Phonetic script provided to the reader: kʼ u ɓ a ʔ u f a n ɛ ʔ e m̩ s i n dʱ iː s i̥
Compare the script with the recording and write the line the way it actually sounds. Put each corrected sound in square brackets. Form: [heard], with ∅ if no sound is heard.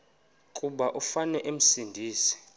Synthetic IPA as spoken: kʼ u ɓ a ʔ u f a n ɛ ʔ e m̩ s i n dʱ iː s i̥